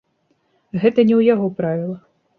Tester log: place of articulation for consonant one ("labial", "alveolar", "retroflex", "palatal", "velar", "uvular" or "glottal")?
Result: velar